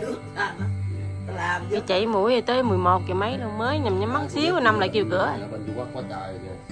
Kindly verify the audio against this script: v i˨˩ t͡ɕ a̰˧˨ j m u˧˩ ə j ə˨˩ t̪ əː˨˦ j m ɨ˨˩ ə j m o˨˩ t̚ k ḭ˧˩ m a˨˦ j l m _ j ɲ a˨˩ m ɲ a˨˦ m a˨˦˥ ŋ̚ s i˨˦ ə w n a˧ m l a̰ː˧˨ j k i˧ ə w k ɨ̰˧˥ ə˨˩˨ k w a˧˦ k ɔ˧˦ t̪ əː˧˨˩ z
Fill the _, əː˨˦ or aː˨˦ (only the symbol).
əː˨˦